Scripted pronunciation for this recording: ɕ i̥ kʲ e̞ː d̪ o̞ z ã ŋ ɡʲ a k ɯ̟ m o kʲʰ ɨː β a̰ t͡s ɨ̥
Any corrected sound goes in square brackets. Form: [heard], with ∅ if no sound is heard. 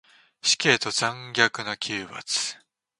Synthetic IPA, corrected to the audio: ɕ i̥ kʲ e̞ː [t̪] o̞ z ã ŋ ɡʲ a k ɯ̟ [n] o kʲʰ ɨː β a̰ t͡s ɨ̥